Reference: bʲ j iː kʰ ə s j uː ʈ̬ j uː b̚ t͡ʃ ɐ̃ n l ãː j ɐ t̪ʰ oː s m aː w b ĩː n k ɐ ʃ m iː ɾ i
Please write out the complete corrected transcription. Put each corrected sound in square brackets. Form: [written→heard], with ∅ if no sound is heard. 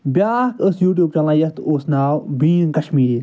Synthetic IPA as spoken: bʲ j [iː→aː] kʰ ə s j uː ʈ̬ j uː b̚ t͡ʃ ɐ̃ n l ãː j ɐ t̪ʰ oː s [m→n] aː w b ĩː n k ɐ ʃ m iː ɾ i